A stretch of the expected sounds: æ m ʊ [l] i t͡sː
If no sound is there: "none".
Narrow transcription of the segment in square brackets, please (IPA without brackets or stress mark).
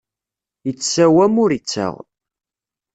ɾ